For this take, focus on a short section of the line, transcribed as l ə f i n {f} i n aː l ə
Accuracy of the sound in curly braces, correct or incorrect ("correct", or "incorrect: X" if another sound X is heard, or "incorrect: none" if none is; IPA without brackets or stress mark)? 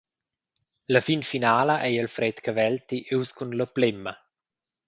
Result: correct